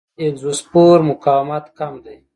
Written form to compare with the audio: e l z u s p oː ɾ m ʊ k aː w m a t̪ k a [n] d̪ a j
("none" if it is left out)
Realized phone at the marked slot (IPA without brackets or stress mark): m